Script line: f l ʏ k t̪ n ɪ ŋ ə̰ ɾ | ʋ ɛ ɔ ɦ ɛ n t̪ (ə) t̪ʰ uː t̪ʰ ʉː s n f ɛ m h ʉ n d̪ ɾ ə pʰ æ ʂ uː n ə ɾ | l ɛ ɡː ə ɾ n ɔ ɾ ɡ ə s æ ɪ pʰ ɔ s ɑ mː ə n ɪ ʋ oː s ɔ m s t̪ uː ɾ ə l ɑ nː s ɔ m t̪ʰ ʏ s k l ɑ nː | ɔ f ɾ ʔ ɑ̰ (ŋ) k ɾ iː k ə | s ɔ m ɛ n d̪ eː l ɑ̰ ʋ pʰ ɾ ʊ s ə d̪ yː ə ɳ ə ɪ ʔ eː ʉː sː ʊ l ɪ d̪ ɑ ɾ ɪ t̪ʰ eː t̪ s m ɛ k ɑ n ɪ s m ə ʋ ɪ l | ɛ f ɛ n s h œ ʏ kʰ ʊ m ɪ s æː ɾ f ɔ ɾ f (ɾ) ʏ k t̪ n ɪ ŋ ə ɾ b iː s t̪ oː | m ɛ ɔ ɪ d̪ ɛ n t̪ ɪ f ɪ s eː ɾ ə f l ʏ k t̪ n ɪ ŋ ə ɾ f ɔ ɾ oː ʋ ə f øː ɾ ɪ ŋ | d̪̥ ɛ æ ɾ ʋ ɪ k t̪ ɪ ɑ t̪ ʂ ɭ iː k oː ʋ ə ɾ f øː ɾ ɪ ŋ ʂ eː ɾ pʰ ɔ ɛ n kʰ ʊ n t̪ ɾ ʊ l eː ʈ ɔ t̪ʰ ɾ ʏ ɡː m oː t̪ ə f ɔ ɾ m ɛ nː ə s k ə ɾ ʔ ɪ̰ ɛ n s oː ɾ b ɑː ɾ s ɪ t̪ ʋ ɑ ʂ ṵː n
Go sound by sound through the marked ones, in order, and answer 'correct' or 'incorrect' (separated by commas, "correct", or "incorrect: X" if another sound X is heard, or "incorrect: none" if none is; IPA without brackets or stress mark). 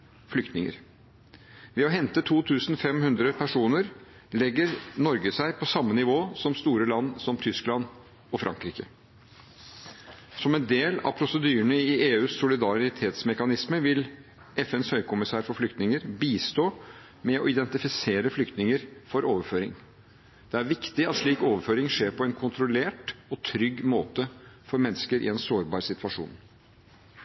correct, correct, incorrect: l